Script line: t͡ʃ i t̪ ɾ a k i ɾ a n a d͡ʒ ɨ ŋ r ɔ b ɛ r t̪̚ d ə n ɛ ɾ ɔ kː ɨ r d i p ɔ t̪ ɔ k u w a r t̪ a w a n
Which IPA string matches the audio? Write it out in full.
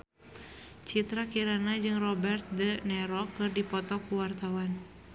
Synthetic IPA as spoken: t͡ʃ i t̪ ɾ a k i ɾ a n a d͡ʒ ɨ ŋ r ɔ b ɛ r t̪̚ d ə n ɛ ɾ ɔ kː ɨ r d i p ɔ t̪ ɔ k u w a r t̪ a w a n